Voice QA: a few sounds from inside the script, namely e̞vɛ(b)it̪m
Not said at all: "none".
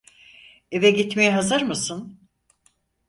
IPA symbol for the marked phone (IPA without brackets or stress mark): ɟ